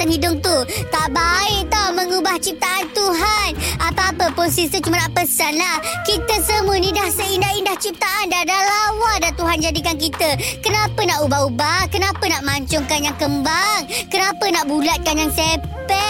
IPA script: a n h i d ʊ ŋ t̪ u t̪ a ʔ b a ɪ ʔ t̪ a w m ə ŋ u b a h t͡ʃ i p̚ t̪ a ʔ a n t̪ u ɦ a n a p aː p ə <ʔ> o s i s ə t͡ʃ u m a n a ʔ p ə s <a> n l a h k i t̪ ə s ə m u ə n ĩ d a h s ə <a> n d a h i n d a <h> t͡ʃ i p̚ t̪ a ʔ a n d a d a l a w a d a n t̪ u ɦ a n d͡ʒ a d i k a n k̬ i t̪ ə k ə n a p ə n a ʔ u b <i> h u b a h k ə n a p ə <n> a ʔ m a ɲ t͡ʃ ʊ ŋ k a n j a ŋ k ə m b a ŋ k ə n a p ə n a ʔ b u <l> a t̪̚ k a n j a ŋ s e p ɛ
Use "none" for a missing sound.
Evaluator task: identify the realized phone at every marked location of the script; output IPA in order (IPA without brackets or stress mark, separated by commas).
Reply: p, a, i, h, a, n, l